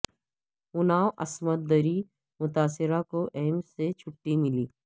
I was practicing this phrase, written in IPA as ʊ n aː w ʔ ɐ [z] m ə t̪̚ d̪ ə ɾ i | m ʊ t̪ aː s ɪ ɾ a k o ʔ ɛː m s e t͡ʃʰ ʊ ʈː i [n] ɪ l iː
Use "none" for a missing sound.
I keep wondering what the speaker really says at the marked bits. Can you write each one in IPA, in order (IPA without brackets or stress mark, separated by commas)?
s, m